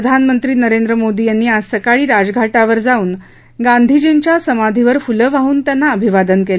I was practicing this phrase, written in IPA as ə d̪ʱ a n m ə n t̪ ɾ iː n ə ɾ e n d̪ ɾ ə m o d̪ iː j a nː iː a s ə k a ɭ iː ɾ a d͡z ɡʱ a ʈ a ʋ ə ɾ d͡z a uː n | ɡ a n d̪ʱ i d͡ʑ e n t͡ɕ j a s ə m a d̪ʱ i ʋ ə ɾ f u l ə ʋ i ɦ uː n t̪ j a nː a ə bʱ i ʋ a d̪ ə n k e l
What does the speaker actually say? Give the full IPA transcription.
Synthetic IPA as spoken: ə d̪ʱ a n m ə n t̪ ɾ iː n ə ɾ e n d̪ ɾ ə m o d̪ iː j a nː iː a s ə k a ɭ iː ɾ a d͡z ɡʱ a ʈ a ʋ ə ɾ d͡z a uː n | ɡ a n d̪ʱ i d͡ʑ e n t͡ɕ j a s ə m a d̪ʱ i ʋ ə ɾ f u l ə ʋ a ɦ uː n t̪ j a nː a ə bʱ i ʋ a d̪ ə n k e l